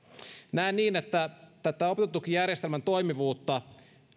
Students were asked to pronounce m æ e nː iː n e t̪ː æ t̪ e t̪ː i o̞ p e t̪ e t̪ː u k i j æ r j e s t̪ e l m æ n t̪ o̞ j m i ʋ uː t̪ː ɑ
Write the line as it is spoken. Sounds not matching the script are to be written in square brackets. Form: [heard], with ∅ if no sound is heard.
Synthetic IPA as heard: [n] æ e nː iː n e t̪ː æ t̪ [æ] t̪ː [æ] o̞ p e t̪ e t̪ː u k i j æ r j e s t̪ e l m æ n t̪ o̞ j m i ʋ uː t̪ː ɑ